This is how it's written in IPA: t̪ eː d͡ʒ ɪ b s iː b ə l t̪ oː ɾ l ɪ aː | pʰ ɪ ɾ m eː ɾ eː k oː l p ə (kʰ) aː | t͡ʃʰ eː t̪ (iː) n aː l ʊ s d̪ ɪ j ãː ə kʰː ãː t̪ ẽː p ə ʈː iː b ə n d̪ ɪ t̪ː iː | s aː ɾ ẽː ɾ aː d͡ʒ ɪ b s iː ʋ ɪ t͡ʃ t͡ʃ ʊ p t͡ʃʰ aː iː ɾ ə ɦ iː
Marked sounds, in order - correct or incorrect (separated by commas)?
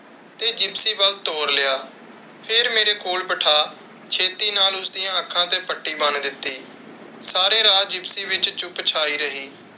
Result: incorrect, correct